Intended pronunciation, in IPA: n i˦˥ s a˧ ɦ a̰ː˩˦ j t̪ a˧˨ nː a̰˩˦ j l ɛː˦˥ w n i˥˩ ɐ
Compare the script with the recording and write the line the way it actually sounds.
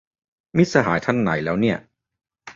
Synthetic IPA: m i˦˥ s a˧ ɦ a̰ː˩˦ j t̪ʰ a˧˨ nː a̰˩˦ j l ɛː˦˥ w n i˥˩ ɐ